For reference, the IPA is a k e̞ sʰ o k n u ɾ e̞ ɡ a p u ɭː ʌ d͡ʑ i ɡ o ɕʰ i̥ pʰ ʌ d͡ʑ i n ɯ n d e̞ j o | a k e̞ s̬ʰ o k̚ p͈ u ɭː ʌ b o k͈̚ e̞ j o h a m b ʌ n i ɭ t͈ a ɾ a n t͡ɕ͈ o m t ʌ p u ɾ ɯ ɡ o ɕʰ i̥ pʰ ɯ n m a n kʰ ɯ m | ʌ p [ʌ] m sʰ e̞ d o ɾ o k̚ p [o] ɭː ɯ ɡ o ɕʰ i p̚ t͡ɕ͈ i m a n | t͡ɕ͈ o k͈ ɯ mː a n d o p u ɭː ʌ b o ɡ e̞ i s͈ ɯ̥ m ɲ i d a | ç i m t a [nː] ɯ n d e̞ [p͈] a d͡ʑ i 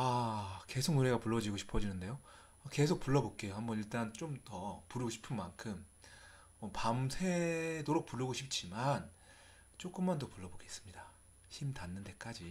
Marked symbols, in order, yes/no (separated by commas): no, no, yes, no